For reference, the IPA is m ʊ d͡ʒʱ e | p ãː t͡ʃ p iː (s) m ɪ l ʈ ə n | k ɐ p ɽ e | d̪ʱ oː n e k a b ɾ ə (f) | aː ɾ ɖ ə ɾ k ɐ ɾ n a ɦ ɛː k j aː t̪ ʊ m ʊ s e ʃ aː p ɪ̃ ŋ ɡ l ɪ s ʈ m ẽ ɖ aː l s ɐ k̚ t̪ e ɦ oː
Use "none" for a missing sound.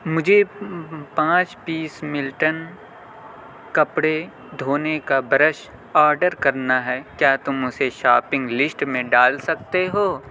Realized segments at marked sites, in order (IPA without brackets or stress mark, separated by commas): s, ʃ